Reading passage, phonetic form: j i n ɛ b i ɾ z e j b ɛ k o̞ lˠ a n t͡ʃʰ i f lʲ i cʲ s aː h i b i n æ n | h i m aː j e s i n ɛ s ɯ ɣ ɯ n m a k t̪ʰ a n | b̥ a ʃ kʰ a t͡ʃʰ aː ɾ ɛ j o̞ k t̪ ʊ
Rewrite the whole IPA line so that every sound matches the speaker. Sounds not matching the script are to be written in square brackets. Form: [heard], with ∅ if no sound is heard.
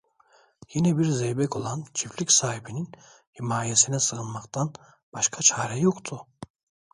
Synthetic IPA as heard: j i n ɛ b i ɾ z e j b ɛ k o̞ lˠ a n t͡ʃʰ i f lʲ i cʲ s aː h i b i n [i] n | h i m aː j e s i n ɛ s ɯ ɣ ɯ n m a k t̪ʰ a n | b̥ a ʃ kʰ a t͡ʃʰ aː ɾ ɛ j o̞ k [t̪ʰ] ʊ